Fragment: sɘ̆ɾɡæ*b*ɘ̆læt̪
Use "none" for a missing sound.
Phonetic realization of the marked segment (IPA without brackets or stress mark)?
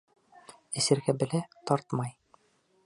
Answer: b